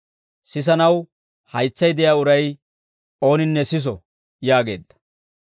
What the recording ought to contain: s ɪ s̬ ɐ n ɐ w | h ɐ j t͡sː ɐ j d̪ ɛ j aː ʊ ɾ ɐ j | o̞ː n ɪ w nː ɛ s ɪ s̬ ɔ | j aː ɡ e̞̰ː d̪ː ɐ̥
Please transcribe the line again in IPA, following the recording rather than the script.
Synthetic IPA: s ɪ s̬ ɐ n ɐ w | h ɐ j t͡sː ɐ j d̪ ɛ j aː ʊ ɾ ɐ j | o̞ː n ɪ nː ɛ s ɪ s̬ ɔ | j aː ɡ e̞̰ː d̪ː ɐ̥